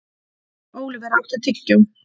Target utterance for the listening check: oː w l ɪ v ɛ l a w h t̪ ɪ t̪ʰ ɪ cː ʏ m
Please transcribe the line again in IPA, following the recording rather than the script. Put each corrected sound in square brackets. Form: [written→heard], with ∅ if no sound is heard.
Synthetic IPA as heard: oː w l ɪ v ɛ [l→ɾ] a w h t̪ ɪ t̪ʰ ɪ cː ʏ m

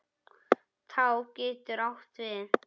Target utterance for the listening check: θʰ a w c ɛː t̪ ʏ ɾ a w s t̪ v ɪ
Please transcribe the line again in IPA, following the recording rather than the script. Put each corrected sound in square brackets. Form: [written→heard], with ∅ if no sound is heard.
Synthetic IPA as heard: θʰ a w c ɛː t̪ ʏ ɾ a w [s→h] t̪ v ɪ

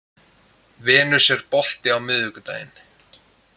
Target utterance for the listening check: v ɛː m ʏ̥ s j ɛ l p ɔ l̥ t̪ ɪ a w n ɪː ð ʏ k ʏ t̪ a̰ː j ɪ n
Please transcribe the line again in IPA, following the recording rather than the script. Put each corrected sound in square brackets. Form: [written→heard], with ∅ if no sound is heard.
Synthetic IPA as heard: v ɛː [m→n] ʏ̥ s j ɛ [l→ɾ] p ɔ l̥ t̪ ɪ a w [n→m] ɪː ð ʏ k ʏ t̪ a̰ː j ɪ n

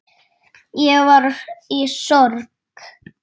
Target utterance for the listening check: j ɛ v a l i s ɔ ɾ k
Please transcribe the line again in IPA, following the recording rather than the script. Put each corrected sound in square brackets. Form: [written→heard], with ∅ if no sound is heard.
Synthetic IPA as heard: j ɛ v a [l→ɾ] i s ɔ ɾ k

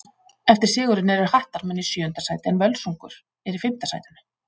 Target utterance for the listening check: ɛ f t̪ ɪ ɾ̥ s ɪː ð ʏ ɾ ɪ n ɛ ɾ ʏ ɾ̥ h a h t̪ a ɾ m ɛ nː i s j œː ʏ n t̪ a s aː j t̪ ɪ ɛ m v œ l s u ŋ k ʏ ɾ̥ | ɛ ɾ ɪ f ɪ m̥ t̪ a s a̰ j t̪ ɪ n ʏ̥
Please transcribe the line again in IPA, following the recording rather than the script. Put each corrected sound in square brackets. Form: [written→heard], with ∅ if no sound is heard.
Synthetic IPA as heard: ɛ f t̪ ɪ ɾ̥ s ɪː [ð→ɣ] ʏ ɾ ɪ n ɛ ɾ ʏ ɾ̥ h a h t̪ a ɾ m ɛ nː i s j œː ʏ n t̪ a s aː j t̪ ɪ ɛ [m→n] v œ l s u ŋ k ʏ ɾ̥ | ɛ ɾ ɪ f ɪ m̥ t̪ a s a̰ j t̪ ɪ n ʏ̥

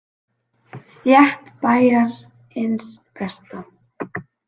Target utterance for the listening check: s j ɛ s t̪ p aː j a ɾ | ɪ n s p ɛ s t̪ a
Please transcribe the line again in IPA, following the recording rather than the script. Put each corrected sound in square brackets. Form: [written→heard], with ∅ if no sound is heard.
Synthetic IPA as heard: [s→θ] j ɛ [s→h] t̪ p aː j a ɾ | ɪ n s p ɛ s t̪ a

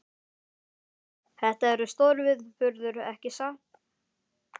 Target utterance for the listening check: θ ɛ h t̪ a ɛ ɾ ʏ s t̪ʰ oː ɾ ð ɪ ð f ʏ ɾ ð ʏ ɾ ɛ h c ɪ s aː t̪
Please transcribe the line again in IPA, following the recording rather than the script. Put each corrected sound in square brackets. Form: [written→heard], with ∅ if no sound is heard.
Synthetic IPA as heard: θ ɛ h t̪ a ɛ ɾ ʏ s [t̪ʰ→t̪] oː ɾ [ð→v] ɪ ð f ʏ ɾ ð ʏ ɾ ɛ h c ɪ s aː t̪

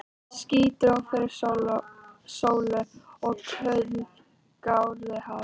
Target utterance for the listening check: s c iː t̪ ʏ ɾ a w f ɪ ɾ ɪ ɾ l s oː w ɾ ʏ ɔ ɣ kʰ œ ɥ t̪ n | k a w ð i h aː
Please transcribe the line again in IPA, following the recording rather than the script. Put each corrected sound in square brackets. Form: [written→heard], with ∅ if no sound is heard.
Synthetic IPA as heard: s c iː t̪ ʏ ɾ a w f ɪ ɾ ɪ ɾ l s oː w [ɾ→l] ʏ ɔ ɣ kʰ œ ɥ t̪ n | k a w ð [i→ɪ] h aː

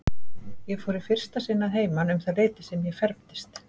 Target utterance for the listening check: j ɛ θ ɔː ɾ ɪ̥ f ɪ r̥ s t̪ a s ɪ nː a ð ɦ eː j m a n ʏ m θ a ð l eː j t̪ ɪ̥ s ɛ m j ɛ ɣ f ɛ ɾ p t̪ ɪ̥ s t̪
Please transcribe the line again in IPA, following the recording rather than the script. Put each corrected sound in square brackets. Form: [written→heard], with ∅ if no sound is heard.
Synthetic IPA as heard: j ɛ [θ→f] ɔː ɾ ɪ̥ f ɪ r̥ s t̪ a s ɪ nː a ð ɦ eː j m a n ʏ m θ a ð l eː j t̪ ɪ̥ s ɛ m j ɛ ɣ f ɛ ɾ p t̪ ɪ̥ s t̪

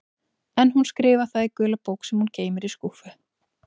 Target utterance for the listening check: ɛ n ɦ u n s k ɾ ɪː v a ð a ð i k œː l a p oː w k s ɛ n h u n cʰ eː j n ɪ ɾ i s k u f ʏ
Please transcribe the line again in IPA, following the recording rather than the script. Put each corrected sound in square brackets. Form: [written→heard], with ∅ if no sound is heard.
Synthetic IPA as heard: ɛ n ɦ u n s k ɾ ɪː v a [ð→θ] a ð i k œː l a p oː w k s ɛ [n→m] h u n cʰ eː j [n→m] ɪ ɾ i s k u f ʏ

